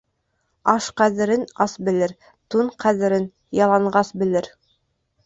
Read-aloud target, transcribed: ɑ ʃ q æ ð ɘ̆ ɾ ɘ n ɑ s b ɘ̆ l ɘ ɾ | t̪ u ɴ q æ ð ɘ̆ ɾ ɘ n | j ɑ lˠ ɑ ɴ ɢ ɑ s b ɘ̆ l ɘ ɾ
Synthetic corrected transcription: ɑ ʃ q æ ð ɘ̆ ɾ ɘ n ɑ s b ɘ̆ l ɘ ɾ | t̪ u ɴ q æ ð ɘ̆ ɾ ɘ n | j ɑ lˠ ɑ ɴ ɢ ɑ s b ɘ̆ l ɘ ɾ